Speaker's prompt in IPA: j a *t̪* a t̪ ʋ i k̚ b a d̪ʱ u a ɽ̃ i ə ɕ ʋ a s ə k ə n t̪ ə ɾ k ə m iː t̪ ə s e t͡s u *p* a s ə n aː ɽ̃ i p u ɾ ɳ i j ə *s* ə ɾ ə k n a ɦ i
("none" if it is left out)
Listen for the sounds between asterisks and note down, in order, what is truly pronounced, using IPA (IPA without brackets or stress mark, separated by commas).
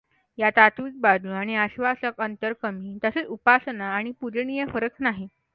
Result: t̪, p, f